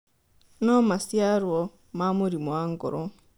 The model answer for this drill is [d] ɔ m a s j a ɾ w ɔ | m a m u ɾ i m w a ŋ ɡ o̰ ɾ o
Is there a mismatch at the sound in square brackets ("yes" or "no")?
yes